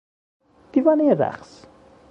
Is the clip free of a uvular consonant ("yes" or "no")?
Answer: no